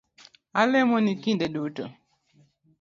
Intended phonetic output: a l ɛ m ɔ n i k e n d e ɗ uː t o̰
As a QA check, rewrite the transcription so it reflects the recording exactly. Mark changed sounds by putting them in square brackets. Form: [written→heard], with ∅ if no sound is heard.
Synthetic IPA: a l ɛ m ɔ n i k [e→i] n d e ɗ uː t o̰